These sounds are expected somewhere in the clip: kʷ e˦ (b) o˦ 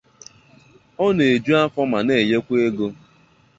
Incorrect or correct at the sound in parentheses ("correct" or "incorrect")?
incorrect